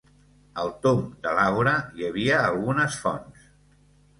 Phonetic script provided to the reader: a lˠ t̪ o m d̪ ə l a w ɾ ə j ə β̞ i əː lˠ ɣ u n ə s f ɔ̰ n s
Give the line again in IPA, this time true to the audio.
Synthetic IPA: ə lˠ t̪ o m d̪ ə l a w ɾ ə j ə β̞ i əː lˠ ɣ u n ə s f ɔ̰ n s